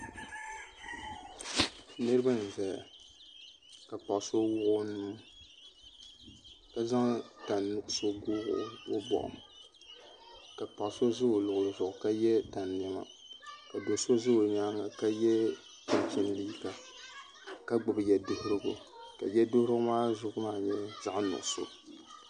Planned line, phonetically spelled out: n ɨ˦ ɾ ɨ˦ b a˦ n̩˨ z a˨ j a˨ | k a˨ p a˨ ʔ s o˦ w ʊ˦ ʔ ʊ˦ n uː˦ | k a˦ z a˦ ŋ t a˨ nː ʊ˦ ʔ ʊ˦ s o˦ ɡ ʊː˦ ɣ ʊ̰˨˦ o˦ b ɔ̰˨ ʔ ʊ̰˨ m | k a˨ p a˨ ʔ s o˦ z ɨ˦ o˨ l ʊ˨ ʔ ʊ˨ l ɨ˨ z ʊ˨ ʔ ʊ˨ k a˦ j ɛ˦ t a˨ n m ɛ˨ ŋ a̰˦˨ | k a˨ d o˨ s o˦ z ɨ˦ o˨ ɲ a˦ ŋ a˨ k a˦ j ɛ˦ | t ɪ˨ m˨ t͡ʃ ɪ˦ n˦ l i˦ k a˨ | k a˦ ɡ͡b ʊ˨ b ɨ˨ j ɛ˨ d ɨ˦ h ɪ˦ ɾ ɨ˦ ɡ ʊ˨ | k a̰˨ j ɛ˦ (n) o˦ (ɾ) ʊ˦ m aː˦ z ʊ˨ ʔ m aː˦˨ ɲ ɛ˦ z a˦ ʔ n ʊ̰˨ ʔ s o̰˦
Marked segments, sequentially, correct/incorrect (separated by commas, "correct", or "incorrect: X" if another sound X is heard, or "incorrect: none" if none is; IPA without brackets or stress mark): incorrect: d, correct